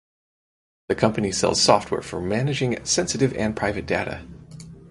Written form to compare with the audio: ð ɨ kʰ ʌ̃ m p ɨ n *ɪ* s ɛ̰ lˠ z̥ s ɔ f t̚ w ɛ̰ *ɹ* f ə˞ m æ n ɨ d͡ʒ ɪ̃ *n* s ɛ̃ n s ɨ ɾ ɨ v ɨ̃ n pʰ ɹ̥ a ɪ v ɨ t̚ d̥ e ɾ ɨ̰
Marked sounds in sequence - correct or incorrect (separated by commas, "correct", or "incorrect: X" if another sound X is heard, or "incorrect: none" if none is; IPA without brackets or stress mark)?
incorrect: i, correct, incorrect: ŋ